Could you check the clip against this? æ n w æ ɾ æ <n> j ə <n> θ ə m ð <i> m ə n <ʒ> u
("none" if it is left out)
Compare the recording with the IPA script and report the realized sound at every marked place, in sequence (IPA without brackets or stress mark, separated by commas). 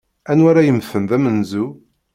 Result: none, m, æ, z